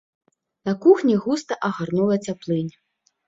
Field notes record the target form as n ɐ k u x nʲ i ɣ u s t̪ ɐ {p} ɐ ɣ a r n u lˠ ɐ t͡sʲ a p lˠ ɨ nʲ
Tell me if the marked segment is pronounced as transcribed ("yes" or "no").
no